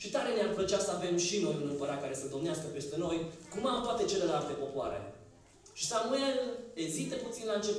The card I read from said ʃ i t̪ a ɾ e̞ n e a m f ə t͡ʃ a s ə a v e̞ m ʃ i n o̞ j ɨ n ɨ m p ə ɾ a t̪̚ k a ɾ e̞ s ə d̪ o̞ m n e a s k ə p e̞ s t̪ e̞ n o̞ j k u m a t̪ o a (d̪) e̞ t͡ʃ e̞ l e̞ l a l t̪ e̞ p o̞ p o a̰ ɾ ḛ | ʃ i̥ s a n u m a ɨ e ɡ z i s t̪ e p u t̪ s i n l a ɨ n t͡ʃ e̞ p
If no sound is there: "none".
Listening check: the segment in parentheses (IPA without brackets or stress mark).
t̪